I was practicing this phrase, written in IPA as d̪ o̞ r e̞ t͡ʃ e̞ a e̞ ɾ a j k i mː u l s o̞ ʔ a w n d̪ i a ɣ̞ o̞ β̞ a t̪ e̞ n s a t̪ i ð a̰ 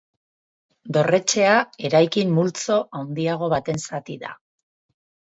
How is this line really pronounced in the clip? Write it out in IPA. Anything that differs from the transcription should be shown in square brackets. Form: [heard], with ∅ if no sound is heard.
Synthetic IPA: d̪ o̞ r e̞ t͡ʃ e̞ a e̞ ɾ a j k i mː u l [t͡s] o̞ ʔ a w n d̪ i a ɣ̞ o̞ β̞ a t̪ e̞ n s a t̪ i ð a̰